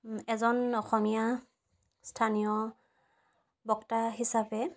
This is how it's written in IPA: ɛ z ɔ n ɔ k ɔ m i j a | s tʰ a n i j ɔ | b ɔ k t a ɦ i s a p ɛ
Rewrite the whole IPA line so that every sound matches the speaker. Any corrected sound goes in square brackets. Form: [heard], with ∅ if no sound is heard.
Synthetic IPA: ɛ z ɔ n ɔ [x] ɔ m i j a | s tʰ a n i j ɔ | b ɔ k t a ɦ i s a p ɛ